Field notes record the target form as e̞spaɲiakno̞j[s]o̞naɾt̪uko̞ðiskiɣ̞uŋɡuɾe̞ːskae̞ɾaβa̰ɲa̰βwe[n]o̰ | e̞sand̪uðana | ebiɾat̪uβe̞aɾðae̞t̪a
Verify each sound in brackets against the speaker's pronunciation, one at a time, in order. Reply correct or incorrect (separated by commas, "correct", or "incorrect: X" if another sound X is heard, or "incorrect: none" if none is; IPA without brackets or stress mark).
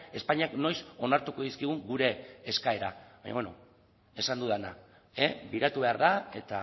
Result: correct, correct